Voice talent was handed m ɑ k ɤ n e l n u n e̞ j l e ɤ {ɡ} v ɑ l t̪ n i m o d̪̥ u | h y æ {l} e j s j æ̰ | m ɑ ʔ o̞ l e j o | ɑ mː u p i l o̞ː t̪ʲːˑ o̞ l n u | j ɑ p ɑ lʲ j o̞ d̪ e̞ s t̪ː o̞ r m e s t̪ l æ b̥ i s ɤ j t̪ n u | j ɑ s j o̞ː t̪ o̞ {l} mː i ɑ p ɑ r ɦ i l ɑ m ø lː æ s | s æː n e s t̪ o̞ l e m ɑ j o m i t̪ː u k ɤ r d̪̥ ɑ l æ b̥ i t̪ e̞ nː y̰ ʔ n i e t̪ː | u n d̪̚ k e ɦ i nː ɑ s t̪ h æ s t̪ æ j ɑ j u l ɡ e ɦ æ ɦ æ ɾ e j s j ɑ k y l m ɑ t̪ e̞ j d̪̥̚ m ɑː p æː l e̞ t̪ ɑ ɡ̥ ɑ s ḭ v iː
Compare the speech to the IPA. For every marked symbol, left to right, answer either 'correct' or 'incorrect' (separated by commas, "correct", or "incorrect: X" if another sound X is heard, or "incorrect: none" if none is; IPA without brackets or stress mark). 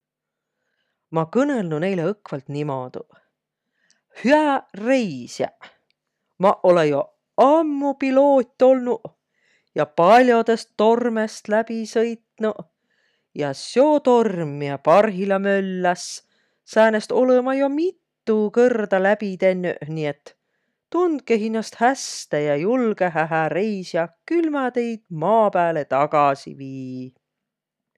incorrect: k, incorrect: r, incorrect: r